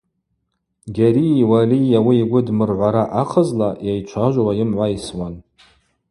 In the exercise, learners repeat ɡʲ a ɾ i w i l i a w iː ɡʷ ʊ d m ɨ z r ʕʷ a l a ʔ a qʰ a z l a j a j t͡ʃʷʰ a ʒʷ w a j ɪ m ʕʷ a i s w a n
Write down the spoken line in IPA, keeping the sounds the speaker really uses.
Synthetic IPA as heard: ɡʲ a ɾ i w a l i a w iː ɡʷ ʊ d m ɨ r ʕʷ a ɾ a ʔ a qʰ ə z l a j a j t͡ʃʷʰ a ʒʷ w a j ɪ m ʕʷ a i s w a n